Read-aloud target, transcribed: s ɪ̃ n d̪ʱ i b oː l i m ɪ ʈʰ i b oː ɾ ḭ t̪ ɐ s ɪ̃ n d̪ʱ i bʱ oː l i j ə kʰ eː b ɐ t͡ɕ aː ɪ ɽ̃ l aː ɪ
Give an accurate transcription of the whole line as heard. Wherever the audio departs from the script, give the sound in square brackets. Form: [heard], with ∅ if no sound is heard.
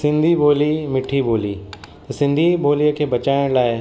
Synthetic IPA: s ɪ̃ n d̪ʱ i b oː l i m ɪ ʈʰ i b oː [l] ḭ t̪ ɐ s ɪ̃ n d̪ʱ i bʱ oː l i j ə kʰ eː b ɐ t͡ɕ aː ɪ ɽ̃ l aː ɪ